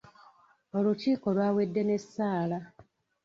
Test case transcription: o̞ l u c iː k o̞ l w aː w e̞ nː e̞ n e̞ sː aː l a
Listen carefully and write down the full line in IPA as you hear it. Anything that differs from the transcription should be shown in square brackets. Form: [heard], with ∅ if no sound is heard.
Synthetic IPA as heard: o̞ l u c iː k o̞ l w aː w e̞ [dː] e̞ n e̞ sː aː l a